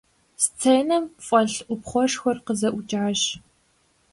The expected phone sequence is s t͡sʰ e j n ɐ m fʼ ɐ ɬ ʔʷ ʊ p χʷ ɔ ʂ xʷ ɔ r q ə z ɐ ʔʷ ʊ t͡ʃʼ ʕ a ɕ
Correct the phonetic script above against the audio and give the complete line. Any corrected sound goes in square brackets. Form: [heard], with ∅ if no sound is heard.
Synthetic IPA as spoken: s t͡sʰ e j n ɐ m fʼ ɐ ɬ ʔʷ ʊ p χʷ ɔ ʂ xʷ ɔ r q ə z ɐ ʔʷ ʊ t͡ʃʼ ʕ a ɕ